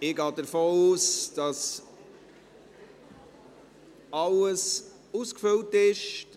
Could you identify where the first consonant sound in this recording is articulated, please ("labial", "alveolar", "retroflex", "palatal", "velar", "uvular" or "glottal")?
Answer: velar